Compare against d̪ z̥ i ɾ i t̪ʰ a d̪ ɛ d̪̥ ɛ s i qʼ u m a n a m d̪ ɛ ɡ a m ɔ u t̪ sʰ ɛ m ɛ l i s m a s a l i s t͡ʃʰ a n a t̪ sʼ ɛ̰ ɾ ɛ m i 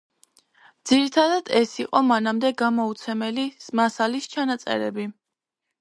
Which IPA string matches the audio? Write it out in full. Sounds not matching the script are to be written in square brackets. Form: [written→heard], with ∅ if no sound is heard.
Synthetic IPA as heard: d̪ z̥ i ɾ i t̪ʰ a d̪ [ɛ→a] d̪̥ ɛ s i qʼ [u→ɔ] m a n a m d̪ ɛ ɡ a m ɔ u t̪ sʰ ɛ m ɛ l i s m a s a l i s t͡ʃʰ a n a t̪ sʼ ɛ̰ ɾ ɛ [m→b] i